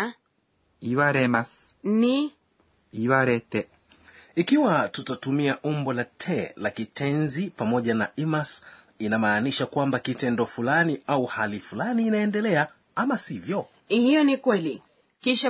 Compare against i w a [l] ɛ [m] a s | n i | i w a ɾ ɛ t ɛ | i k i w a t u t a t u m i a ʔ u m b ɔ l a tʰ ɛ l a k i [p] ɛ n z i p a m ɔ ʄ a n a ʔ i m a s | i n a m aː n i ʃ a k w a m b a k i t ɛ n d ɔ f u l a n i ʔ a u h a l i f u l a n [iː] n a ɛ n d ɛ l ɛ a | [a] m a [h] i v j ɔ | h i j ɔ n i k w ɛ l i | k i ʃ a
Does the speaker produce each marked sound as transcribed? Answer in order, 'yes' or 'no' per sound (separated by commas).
no, yes, no, yes, yes, no